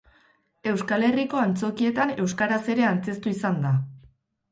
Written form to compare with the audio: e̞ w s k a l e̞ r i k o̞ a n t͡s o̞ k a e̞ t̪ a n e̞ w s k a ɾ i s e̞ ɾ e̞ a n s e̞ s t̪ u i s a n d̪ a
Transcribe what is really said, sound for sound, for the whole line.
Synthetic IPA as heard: e̞ w s k a l e̞ r i k o̞ a n t͡s o̞ k i e̞ t̪ a n e̞ w s k a ɾ a s e̞ ɾ e̞ a n t͡s e̞ s t̪ u i s a n d̪ a